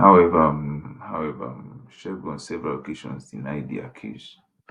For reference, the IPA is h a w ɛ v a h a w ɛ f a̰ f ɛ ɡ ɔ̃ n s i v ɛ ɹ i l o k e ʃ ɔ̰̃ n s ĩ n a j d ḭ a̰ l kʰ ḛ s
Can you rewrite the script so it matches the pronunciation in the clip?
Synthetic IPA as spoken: h a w ɛ v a h a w ɛ v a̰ ʃ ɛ ɡ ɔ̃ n s ɛ v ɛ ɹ a l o k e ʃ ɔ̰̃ n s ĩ n a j d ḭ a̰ kʰ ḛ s